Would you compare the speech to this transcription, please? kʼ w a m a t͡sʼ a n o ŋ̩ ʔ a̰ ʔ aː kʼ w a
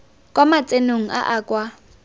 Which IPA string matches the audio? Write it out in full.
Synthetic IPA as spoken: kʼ w a m a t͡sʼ e n o ŋ̩ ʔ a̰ ʔ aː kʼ w a